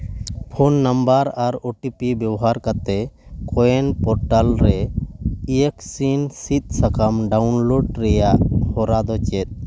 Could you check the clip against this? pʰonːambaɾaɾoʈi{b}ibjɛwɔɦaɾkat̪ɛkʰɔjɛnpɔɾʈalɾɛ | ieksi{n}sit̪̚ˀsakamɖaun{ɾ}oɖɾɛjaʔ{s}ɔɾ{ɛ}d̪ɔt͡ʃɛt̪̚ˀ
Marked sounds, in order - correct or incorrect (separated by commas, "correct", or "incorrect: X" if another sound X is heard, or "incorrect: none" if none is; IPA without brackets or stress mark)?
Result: incorrect: p, correct, incorrect: l, incorrect: h, incorrect: a